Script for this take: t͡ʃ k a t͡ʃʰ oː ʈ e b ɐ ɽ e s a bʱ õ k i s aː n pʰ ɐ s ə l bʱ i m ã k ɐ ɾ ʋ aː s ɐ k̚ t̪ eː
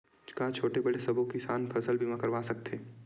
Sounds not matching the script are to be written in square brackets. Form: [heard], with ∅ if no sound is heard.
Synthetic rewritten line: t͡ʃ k a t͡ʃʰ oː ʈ e b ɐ ɽ e s [ɐ] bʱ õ k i s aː n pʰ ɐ s ə l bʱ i m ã k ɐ ɾ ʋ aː s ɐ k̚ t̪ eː